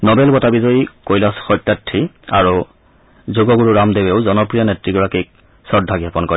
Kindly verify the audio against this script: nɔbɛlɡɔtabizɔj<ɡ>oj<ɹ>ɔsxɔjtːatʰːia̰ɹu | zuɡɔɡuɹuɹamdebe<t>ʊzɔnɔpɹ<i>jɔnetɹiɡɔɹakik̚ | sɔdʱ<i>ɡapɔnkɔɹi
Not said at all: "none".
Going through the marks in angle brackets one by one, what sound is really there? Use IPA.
k, l, none, i, a

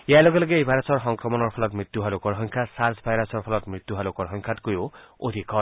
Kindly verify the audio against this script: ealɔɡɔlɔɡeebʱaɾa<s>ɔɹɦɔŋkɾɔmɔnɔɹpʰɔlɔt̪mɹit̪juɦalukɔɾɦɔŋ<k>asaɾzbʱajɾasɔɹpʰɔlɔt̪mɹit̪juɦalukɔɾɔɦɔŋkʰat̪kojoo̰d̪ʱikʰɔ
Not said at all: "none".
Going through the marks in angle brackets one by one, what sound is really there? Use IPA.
s, kʰ

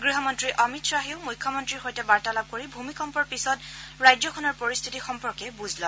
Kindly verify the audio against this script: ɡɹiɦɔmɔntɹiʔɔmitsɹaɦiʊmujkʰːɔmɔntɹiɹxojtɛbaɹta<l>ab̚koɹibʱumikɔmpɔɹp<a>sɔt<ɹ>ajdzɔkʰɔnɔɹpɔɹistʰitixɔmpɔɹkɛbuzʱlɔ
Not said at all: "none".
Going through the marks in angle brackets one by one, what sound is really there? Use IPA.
l, i, ɹ

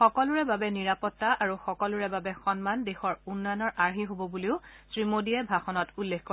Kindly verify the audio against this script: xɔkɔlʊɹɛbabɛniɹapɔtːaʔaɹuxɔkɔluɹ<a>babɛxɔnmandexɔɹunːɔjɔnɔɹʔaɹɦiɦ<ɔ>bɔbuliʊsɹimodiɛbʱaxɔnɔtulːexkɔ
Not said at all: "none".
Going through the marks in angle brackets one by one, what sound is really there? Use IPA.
ɛ, o

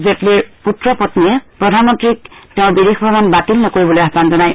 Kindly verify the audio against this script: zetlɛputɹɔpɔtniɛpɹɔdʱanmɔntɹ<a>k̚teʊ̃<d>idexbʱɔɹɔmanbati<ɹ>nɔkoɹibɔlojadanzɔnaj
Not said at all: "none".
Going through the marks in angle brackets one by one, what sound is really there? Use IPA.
i, b, l

